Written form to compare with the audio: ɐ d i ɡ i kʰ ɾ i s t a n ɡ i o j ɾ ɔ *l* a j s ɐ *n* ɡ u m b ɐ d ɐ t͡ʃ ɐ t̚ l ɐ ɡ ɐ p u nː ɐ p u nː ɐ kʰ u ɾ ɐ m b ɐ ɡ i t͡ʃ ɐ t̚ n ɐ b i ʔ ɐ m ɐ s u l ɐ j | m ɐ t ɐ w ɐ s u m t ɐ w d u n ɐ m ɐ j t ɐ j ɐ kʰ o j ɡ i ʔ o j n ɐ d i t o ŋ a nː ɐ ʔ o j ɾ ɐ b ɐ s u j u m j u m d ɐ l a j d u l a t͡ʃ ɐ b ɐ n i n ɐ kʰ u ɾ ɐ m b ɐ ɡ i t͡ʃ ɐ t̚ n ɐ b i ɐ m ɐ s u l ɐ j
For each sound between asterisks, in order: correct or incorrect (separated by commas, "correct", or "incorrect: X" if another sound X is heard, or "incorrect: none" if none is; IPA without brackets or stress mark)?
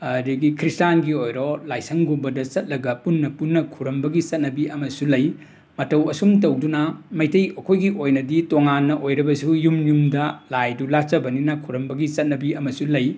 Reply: correct, incorrect: ŋ